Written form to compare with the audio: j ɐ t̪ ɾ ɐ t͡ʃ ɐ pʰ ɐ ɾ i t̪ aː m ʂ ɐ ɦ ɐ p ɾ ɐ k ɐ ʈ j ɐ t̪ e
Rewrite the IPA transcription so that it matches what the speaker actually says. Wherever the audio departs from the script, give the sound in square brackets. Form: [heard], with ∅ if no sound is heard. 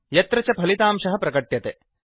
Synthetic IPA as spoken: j ɐ t̪ ɾ ɐ t͡ʃ ɐ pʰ ɐ [l] i t̪ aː m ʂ ɐ ɦ ɐ p ɾ ɐ k ɐ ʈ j ɐ t̪ e